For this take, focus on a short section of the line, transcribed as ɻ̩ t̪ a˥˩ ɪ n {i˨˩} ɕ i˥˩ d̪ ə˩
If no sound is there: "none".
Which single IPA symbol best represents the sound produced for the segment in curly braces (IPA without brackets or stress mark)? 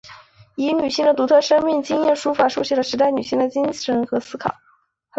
y˨˩